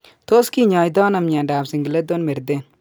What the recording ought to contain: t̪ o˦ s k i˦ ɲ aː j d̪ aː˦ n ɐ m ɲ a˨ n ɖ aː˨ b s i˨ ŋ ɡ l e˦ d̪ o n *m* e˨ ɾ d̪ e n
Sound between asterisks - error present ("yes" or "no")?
no